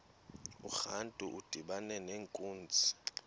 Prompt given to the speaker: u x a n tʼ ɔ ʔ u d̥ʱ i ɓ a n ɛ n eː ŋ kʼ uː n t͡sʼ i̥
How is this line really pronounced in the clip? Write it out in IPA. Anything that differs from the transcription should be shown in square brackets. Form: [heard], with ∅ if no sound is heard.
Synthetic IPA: u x a n tʼ [u] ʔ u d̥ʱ i ɓ a n ɛ n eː ŋ kʼ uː n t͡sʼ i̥